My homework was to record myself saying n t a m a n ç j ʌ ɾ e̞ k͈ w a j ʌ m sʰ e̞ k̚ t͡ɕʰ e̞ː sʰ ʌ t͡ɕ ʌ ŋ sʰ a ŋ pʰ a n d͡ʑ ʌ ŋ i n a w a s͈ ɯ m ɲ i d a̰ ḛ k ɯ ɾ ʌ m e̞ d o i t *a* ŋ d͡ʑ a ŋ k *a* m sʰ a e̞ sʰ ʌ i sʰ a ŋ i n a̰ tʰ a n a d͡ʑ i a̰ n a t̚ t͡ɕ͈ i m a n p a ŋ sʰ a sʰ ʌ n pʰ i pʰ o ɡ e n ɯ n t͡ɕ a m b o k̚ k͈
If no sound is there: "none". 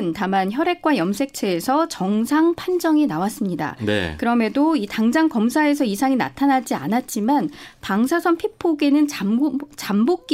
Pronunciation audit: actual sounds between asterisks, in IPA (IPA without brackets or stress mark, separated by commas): a, ʌ